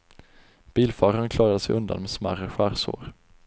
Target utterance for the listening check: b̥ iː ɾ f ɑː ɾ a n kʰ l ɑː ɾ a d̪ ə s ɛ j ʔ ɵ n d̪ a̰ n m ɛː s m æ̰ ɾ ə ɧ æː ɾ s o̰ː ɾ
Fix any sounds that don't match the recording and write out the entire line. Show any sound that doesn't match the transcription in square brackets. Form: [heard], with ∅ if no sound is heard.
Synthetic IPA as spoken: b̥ iː [l] f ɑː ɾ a n kʰ l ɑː ɾ a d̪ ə s ɛ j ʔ ɵ n d̪ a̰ n m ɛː s m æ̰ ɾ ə ɧ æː ɾ s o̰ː ɾ